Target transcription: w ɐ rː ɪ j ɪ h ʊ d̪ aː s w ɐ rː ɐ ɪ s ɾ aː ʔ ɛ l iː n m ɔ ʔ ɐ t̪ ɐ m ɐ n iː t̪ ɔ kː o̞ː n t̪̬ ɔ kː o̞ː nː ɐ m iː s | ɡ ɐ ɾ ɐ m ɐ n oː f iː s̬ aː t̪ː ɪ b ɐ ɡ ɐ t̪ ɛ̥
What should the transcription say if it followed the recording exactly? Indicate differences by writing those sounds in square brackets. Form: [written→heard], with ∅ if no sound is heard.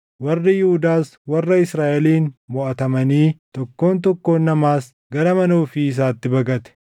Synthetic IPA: w ɐ rː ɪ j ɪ h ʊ d̪ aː s w ɐ rː ɐ ɪ s ɾ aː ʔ ɛ l iː n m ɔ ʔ ɐ t̪ ɐ m ɐ n iː t̪ ɔ kː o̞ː n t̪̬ ɔ kː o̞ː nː ɐ m [iː→aː] s | ɡ ɐ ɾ ɐ m ɐ n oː f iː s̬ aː t̪ː ɪ b ɐ ɡ ɐ t̪ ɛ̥